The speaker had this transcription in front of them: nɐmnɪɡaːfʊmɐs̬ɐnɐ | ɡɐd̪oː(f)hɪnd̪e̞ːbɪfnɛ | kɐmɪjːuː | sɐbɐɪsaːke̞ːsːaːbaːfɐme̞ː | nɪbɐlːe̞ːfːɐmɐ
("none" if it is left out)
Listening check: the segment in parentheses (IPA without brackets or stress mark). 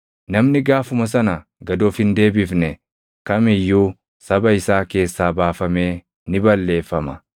f